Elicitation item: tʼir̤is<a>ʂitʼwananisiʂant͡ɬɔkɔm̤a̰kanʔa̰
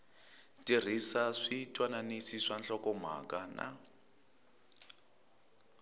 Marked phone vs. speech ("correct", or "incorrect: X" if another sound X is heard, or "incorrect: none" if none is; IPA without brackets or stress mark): correct